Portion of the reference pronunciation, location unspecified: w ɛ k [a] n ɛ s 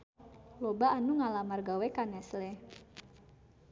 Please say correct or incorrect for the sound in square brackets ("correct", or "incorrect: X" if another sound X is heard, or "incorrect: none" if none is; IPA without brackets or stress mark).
correct